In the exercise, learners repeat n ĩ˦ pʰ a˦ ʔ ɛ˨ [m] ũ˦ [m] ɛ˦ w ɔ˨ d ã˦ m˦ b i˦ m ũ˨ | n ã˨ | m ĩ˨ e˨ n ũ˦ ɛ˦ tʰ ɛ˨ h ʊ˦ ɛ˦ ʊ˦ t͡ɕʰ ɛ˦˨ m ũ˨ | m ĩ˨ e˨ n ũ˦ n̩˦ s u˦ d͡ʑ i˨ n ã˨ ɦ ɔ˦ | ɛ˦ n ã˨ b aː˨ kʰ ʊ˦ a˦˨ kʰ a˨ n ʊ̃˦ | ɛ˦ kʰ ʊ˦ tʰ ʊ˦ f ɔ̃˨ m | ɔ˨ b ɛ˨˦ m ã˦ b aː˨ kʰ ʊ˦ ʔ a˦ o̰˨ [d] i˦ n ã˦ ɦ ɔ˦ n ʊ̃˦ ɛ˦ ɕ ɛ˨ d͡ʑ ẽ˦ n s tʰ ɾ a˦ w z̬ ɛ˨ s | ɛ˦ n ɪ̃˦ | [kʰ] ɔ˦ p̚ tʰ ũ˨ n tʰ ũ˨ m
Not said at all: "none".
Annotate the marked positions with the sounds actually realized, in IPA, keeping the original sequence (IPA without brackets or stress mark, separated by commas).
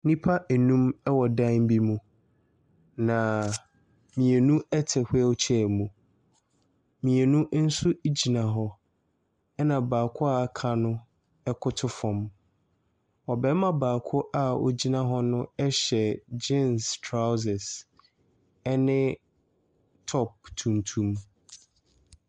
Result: n, m, d͡ʑ, tʰ